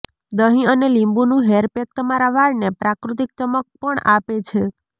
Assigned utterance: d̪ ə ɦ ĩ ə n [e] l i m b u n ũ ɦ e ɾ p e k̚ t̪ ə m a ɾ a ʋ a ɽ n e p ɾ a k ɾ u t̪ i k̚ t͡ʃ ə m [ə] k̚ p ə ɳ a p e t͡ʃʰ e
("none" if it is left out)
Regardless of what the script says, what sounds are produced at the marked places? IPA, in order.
e, ə

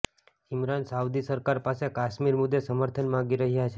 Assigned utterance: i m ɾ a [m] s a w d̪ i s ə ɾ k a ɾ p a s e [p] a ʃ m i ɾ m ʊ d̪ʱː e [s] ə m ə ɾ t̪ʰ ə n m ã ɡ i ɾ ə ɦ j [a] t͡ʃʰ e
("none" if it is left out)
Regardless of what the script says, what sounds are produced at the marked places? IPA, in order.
n, k, s, a

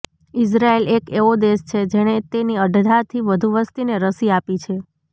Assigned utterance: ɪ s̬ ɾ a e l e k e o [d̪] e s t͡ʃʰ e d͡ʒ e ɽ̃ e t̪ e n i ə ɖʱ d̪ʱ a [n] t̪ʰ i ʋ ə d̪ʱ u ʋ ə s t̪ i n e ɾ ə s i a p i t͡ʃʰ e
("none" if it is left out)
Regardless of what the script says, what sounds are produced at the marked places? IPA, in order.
d̪, none

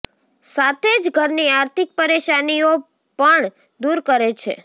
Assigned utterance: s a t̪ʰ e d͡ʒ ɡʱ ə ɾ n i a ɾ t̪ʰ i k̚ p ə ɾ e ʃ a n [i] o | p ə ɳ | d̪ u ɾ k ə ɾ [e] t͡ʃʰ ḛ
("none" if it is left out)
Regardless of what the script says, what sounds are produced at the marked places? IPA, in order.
i, e

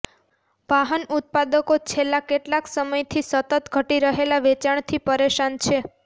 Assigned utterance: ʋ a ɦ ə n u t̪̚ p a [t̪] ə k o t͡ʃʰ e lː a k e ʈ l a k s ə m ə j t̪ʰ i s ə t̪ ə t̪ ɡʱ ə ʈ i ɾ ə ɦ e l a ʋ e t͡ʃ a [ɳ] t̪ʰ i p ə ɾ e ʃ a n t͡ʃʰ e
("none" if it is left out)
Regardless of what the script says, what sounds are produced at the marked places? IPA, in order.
d̪, ɳ

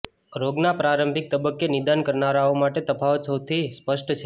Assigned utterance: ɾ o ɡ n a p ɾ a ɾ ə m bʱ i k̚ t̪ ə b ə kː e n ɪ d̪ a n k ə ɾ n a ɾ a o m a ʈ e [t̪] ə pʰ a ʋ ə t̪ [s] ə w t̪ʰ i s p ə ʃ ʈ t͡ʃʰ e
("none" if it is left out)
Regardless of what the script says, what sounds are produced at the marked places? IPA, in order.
t̪, s

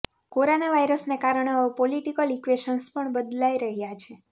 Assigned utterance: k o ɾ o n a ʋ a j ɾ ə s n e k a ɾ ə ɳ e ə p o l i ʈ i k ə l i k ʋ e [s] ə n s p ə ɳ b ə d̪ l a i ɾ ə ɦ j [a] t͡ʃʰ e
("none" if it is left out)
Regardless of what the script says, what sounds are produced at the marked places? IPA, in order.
ʃ, a

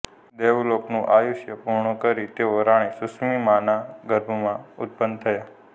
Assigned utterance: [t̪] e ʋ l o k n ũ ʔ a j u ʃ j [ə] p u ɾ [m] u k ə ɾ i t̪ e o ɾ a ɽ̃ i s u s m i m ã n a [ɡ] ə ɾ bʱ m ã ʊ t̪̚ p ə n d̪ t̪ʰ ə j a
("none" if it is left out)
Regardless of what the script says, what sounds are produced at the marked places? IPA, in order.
d̪, ə, ɳ, ɡ

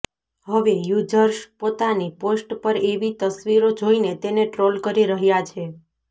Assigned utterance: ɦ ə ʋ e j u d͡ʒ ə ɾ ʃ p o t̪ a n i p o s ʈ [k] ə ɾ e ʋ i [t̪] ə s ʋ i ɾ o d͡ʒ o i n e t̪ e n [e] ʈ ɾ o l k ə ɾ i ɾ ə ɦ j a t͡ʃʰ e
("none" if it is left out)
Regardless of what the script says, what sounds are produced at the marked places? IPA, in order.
p, t̪, e

